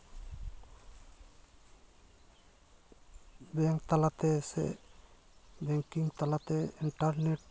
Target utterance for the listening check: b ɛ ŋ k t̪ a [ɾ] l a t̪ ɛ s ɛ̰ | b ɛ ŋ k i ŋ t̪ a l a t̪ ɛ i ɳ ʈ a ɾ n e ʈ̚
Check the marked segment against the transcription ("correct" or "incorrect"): incorrect